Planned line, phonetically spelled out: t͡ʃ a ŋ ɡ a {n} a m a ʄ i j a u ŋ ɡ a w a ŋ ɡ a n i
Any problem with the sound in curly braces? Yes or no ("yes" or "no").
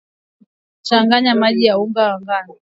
yes